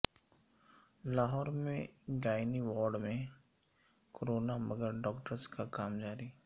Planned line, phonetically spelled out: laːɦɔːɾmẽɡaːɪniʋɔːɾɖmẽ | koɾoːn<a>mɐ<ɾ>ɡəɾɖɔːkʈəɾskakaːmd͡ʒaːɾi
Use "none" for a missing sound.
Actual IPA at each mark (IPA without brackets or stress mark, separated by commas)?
a, none